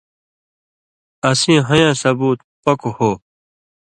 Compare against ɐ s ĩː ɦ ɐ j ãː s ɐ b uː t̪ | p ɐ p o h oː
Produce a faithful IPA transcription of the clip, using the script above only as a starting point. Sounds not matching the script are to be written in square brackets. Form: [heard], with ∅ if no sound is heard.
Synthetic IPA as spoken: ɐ s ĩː ɦ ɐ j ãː s ɐ b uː t̪ | p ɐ [k] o h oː